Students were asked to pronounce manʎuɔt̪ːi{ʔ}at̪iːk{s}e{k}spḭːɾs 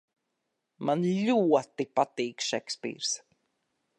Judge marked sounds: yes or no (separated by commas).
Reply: no, no, yes